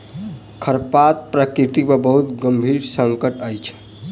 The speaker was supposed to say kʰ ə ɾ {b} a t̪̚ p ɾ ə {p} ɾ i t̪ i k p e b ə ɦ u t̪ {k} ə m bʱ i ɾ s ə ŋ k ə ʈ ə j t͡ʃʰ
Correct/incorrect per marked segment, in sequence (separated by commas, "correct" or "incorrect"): incorrect, incorrect, incorrect